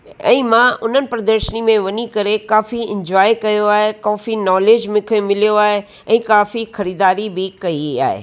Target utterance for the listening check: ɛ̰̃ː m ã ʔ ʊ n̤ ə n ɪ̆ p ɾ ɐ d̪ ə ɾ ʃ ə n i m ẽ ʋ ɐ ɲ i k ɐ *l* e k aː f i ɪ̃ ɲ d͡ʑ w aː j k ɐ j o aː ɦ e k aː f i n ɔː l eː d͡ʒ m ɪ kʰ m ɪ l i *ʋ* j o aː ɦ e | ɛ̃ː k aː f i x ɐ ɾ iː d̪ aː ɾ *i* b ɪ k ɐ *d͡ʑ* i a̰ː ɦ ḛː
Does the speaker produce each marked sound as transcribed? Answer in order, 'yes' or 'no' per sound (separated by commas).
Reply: no, no, yes, no